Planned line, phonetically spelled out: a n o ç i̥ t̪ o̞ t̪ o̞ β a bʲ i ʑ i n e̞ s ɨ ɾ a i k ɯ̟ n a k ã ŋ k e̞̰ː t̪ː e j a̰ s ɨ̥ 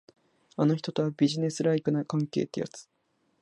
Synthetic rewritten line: a n o ç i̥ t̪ o̞ t̪ o̞ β a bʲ i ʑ i n e̞ s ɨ ɾ a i k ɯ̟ n a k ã ŋ k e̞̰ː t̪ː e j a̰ t͡s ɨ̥